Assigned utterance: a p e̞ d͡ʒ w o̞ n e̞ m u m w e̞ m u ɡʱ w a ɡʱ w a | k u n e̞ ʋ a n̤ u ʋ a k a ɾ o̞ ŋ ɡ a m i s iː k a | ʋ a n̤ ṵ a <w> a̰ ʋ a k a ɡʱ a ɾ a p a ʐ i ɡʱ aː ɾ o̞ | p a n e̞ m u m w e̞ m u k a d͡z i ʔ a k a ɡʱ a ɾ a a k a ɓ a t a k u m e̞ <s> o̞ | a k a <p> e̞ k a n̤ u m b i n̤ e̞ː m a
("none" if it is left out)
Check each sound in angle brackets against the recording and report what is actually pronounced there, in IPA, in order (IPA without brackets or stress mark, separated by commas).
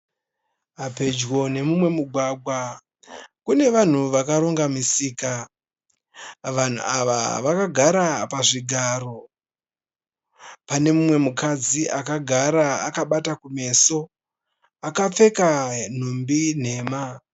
ʋ, s, p͡f